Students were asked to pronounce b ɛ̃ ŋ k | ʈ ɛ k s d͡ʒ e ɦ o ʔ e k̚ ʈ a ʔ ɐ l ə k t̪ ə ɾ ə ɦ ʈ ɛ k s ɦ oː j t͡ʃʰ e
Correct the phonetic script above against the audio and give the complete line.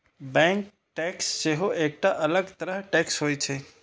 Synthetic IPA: b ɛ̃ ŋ k | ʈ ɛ k s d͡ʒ e ɦ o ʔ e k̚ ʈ a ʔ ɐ l ə ɡ t̪ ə ɾ ə ɦ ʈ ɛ k s ɦ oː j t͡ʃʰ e